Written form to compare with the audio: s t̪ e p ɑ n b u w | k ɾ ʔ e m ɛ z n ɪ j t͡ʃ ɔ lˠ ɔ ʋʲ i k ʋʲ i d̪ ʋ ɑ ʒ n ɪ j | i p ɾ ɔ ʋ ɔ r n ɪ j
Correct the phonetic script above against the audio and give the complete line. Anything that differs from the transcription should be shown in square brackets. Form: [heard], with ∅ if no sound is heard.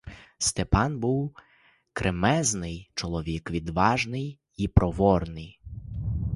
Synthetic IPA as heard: s t̪ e p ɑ n b u w | k ɾ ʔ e m ɛ z n ɪ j t͡ʃ ɔ lˠ ɔ ʋʲ i k ʋʲ i d̪ ʋ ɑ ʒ n ɪ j | i p ɾ ɔ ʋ ɔ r n ɪ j